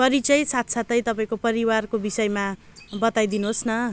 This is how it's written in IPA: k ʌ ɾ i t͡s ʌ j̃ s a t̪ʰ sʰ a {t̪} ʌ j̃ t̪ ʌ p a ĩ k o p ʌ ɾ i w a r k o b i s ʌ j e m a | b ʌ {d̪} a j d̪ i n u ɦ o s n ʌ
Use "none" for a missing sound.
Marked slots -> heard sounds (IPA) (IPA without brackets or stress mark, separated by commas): t̪, t̪